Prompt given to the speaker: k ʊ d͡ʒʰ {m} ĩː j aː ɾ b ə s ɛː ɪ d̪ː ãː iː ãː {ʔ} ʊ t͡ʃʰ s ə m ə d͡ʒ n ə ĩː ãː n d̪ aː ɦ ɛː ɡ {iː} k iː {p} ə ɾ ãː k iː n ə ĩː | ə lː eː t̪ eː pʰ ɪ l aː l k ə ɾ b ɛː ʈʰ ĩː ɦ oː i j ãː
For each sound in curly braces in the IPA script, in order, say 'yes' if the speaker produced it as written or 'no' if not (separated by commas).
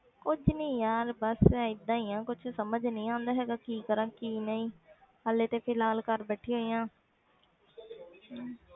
no, no, no, no